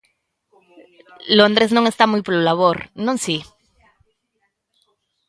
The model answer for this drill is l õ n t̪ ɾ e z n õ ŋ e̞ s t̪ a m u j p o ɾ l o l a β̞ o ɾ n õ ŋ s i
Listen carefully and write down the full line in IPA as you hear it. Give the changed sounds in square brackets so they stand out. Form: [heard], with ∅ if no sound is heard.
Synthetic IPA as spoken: l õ n [d̪] ɾ e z n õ ŋ e̞ s t̪ a m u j p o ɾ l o l a β̞ o ɾ n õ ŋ s i